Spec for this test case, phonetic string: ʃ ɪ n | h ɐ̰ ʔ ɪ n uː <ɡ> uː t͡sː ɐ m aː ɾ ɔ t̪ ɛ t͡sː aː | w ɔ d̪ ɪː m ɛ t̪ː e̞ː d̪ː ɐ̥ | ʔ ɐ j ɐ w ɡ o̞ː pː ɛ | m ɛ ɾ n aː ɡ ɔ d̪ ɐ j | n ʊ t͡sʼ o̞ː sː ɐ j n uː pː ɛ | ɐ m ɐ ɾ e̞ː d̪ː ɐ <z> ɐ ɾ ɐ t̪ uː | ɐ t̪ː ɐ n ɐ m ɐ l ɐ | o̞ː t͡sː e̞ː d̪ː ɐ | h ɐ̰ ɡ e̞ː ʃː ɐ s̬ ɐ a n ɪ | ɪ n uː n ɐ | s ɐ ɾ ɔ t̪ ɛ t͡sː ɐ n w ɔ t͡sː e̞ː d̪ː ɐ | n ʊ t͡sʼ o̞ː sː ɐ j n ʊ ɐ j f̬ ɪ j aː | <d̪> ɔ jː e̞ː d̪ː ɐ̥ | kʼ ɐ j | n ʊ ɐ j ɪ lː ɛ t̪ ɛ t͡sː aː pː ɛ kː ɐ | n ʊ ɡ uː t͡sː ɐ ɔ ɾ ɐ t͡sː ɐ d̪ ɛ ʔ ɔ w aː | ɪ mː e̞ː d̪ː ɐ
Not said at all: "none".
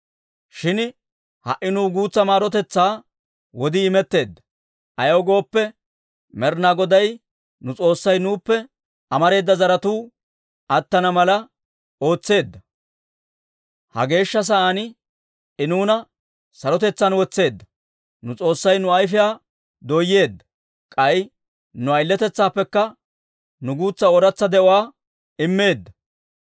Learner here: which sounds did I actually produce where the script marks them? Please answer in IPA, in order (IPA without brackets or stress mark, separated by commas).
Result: ɡ, z, d̪